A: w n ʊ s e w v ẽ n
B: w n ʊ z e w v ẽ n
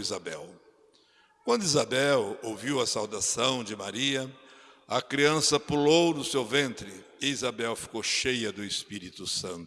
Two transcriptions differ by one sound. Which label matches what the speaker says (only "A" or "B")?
A